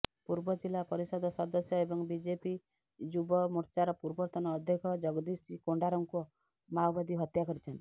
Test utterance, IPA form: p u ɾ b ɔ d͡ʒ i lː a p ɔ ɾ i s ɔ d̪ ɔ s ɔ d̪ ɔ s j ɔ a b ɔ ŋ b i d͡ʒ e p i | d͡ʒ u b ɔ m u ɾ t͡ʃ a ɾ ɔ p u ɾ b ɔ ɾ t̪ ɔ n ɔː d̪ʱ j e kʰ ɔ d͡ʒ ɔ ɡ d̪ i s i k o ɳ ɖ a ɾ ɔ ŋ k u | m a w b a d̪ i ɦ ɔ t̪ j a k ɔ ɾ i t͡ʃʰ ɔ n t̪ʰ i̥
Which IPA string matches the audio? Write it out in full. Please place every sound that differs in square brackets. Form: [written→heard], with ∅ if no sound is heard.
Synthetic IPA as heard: p u ɾ b ɔ d͡ʒ i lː a p ɔ ɾ i s ɔ d̪ ɔ s ɔ d̪ ɔ s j ɔ [a→e] b ɔ ŋ b i d͡ʒ e p i | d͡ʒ u b ɔ m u ɾ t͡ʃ a ɾ ɔ p u ɾ b ɔ ɾ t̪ ɔ n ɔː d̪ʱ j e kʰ ɔ d͡ʒ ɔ ɡ d̪ i s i k o ɳ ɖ a ɾ ɔ ŋ k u | m a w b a d̪ i ɦ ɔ t̪ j a k ɔ ɾ i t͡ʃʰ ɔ n [t̪ʰ→t̪] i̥